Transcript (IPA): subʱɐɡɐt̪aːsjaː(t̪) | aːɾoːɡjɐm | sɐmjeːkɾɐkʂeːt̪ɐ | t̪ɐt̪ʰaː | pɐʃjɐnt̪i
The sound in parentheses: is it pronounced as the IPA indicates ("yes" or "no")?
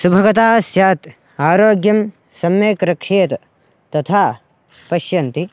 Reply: yes